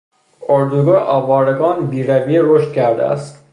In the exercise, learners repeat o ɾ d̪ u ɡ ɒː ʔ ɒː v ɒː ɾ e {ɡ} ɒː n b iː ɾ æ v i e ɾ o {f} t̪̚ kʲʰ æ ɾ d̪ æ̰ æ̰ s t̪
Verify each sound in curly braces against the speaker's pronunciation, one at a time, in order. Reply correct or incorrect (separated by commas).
correct, incorrect